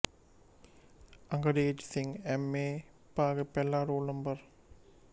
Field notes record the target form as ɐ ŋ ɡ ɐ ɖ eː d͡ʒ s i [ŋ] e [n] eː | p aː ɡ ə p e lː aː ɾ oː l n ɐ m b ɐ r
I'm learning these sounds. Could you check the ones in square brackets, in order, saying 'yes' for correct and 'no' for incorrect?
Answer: yes, no

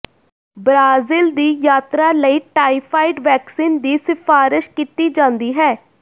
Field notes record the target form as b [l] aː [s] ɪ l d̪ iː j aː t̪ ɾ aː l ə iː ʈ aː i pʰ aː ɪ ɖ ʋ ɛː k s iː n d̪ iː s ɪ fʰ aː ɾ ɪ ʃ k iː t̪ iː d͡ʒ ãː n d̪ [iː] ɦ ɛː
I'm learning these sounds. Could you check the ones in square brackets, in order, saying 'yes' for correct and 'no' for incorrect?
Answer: no, no, yes

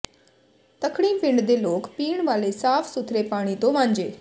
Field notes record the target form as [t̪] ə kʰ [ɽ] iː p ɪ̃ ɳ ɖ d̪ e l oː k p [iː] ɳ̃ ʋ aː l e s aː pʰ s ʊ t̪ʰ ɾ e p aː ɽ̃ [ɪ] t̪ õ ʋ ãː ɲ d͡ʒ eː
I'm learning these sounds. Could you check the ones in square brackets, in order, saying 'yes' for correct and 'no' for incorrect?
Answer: yes, yes, yes, no

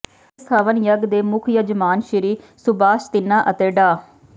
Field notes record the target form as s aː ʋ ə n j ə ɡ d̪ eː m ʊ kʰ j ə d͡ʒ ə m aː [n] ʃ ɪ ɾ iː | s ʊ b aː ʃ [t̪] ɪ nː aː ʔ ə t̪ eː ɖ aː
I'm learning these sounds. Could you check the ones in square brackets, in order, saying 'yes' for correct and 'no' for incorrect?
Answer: yes, yes

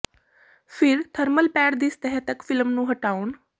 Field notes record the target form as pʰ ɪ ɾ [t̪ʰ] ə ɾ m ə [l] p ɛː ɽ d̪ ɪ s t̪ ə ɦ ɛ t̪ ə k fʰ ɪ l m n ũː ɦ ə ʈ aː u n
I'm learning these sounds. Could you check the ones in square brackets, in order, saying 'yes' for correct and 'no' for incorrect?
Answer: yes, yes

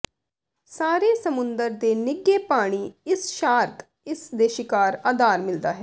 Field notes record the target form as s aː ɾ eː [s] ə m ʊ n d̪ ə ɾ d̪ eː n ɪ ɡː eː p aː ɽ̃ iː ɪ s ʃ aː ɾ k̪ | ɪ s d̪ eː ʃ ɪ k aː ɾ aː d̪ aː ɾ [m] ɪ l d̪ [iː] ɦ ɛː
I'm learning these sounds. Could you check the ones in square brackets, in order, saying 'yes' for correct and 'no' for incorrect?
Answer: yes, yes, no

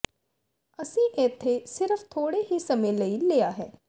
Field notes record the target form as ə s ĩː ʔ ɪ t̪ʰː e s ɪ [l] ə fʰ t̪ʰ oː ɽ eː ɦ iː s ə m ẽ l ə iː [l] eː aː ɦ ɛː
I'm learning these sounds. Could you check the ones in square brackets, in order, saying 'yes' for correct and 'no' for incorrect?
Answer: no, yes

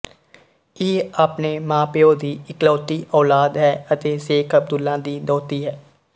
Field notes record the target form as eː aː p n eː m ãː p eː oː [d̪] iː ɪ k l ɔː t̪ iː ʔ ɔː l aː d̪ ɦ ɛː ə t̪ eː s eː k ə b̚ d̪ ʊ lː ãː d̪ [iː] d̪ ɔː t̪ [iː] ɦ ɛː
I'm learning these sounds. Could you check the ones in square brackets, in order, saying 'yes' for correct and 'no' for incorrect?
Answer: yes, yes, yes

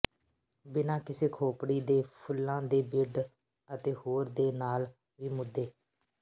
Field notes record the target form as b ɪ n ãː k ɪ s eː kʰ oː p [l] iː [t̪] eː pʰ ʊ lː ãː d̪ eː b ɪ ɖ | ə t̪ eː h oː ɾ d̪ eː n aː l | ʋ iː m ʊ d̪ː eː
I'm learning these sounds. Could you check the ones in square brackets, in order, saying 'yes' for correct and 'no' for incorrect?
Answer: no, no

